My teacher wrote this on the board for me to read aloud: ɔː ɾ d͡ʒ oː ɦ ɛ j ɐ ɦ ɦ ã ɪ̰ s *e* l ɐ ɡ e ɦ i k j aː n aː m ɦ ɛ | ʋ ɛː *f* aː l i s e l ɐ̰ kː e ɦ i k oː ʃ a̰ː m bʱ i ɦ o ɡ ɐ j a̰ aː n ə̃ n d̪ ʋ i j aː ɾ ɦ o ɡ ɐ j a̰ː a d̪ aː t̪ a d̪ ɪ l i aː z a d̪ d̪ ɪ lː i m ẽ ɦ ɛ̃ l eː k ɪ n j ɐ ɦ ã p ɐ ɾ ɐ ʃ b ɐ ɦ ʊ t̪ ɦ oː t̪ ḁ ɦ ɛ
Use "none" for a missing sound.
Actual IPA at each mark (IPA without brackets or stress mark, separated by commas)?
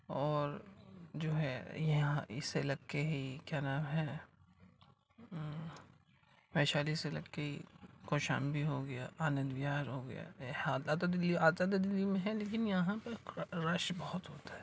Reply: e, ʃ